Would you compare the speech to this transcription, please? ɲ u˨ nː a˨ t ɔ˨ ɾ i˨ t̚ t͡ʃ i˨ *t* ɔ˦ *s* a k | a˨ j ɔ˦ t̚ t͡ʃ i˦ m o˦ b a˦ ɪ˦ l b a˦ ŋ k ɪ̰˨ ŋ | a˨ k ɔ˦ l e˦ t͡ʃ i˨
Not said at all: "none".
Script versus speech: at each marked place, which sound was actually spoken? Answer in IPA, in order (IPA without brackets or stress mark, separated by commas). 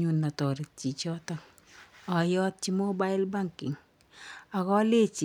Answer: t͡ʃ, t